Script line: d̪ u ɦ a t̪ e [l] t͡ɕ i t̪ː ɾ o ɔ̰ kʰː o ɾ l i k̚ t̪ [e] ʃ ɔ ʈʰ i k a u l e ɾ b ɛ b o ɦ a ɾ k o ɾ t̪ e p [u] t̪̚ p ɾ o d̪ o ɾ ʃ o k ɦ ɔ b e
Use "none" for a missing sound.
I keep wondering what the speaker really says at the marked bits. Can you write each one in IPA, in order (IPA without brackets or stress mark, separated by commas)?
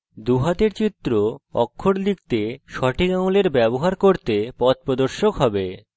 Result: ɾ, e, ɔ